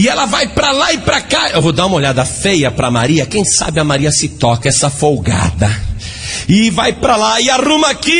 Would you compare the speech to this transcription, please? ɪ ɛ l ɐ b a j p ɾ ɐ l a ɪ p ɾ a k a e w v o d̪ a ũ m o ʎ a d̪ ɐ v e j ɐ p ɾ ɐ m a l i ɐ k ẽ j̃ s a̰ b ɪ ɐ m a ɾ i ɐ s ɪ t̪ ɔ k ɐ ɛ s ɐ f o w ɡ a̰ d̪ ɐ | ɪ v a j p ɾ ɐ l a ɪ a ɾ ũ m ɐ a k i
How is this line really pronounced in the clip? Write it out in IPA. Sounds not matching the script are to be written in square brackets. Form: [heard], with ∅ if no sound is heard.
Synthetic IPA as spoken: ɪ ɛ l ɐ [v] a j p ɾ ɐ l a ɪ p ɾ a k a e w v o d̪ a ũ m o ʎ a d̪ ɐ [f] e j ɐ p ɾ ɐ m a [ɾ] i ɐ k ẽ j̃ s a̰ b ɪ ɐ m a ɾ i ɐ s ɪ t̪ ɔ k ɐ ɛ s ɐ f o w ɡ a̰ d̪ ɐ | ɪ v a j p ɾ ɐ l a ɪ a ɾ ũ m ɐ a k i

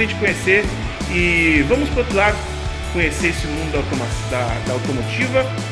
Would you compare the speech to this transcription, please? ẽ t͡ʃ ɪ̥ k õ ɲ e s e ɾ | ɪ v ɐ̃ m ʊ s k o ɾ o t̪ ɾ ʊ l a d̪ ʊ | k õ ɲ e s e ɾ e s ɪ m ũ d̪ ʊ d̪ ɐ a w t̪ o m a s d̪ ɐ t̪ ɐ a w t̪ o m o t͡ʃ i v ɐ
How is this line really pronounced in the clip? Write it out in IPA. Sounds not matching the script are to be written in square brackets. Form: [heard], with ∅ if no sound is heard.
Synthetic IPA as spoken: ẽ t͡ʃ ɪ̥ k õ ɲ e s e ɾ | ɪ v ɐ̃ m ʊ s [p] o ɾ o t̪ ɾ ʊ l a d̪ ʊ | k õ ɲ e s e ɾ e s ɪ m ũ d̪ ʊ d̪ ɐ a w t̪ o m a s d̪ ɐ [d̪] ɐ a w t̪ o m o t͡ʃ i v ɐ

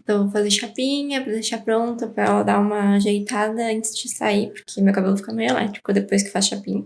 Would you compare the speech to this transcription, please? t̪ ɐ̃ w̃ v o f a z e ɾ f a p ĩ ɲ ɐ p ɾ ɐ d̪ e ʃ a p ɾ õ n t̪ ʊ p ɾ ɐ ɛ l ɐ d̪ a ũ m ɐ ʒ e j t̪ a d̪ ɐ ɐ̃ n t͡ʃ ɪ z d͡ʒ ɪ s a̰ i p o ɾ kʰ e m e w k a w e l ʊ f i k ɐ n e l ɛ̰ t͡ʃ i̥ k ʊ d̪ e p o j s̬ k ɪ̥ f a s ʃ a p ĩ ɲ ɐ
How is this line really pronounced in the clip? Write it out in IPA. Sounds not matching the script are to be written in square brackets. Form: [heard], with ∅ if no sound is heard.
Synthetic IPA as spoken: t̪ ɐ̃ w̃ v o f a z e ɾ [ʃ] a p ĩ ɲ ɐ p ɾ ɐ d̪ e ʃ a p ɾ õ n t̪ ʊ p ɾ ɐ ɛ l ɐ d̪ a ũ m ɐ ʒ e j t̪ a d̪ ɐ ɐ̃ n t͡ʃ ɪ z d͡ʒ ɪ s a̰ i p o ɾ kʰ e m e w k a [b] e l ʊ f i k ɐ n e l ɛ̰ t͡ʃ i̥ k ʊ d̪ e p o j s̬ k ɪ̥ f a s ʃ a p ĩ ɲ ɐ

